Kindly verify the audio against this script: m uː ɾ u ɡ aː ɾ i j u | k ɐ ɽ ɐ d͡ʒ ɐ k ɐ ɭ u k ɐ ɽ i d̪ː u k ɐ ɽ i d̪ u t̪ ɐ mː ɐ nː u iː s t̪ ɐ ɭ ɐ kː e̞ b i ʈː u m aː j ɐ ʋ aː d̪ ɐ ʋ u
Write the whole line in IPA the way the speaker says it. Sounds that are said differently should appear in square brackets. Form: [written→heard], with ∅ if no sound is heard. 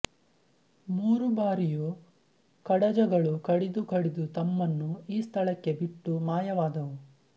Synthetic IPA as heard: m uː ɾ u [ɡ→b] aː ɾ i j u | k ɐ ɽ ɐ d͡ʒ ɐ [k→ɡ] ɐ ɭ u k ɐ ɽ i [d̪ː→d̪] u k ɐ ɽ i d̪ u t̪ ɐ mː ɐ nː u iː s [t̪→t̪ʰ] ɐ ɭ ɐ kː e̞ b i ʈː u m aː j ɐ ʋ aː d̪ ɐ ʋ u